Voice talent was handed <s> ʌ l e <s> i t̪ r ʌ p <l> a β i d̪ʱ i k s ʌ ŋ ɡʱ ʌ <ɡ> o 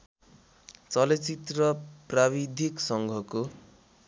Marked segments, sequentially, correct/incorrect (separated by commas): incorrect, incorrect, incorrect, incorrect